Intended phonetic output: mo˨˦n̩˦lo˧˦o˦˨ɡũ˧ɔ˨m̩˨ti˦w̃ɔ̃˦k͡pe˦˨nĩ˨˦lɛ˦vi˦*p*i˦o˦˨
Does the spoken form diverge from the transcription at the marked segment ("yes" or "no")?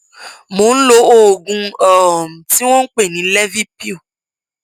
no